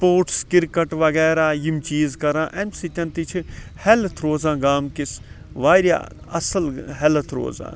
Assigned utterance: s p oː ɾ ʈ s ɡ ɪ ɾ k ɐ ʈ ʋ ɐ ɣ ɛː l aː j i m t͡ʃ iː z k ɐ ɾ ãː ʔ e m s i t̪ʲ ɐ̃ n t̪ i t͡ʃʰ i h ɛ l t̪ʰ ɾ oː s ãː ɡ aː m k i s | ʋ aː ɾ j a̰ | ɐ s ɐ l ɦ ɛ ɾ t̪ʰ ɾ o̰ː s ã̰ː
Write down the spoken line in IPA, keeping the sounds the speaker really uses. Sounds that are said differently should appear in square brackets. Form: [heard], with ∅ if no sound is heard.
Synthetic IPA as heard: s p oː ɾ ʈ s [k] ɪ ɾ k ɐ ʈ ʋ ɐ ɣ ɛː [ɾ] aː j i m t͡ʃ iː z k ɐ ɾ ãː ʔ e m s i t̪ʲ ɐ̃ n t̪ i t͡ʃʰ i h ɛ l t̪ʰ ɾ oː [z] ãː ɡ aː m k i s | ʋ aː ɾ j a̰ | ɐ s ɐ l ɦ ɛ [l] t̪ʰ ɾ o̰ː [z] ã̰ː